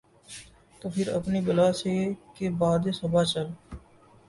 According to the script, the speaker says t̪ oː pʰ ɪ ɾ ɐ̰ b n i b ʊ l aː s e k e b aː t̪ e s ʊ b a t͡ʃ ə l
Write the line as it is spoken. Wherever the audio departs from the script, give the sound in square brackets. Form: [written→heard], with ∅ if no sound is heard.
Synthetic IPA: t̪ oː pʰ ɪ ɾ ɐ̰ [b→p] n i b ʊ l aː s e k e b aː [t̪→d̪] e s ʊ b a t͡ʃ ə l